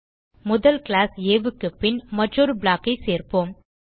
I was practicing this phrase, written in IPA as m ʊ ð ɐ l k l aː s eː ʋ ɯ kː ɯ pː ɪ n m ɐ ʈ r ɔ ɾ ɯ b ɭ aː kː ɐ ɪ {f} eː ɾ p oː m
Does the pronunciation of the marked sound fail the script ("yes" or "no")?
yes